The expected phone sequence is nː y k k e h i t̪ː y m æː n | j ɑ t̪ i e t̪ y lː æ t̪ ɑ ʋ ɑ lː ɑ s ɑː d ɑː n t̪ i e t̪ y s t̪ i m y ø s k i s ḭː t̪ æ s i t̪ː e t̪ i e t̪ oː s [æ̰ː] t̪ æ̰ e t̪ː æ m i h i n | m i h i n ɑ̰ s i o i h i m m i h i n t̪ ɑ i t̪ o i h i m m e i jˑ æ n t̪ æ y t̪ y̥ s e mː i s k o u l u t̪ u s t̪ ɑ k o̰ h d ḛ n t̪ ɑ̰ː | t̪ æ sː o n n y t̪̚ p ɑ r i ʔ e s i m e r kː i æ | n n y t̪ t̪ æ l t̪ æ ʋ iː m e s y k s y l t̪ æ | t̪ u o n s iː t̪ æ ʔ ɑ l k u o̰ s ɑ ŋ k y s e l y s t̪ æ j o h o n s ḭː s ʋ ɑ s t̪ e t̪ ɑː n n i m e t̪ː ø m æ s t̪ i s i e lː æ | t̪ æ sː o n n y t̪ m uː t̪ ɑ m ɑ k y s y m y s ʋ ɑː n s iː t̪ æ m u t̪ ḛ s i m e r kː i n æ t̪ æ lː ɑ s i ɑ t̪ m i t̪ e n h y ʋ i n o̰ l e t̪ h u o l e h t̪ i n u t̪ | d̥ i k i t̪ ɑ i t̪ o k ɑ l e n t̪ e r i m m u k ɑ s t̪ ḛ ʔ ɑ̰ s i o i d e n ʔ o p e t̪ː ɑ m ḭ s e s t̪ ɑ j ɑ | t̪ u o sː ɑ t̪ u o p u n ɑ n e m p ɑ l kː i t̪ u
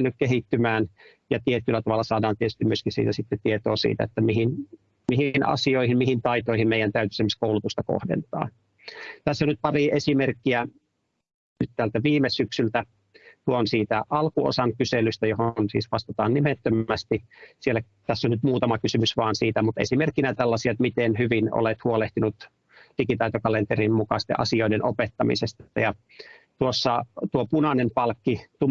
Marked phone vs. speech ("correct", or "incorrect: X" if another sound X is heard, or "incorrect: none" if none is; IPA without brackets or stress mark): incorrect: ḭː